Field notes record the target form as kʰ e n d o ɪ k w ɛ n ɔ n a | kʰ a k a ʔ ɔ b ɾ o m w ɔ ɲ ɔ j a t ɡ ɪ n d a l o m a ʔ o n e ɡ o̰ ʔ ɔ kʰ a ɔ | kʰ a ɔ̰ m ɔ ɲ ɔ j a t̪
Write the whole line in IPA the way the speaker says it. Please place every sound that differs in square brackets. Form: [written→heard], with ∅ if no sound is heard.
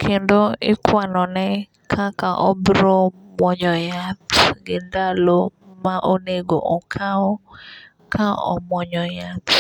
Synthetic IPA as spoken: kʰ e n d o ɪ k w [ɛ→a] n ɔ n [a→ɛ] | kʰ a k a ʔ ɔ b ɾ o m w ɔ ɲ ɔ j a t ɡ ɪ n d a l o m a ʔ o n e ɡ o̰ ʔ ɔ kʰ a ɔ | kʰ a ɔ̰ m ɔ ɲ ɔ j a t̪